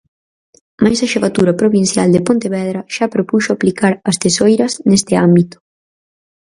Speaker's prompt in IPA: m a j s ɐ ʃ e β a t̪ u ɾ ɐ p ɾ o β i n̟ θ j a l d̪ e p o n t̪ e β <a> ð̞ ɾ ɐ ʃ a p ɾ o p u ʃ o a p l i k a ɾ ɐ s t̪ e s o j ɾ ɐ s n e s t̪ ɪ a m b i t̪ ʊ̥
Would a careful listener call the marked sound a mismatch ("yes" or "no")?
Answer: yes